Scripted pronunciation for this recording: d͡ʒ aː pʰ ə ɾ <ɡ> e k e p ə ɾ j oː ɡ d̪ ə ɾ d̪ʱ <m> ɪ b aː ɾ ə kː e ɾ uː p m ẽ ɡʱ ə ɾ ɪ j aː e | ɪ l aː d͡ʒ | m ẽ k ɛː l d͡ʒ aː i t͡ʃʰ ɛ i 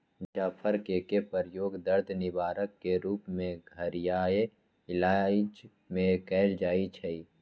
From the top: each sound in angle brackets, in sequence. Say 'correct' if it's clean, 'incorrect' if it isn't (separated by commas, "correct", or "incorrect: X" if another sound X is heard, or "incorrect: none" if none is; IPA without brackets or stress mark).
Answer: incorrect: k, incorrect: n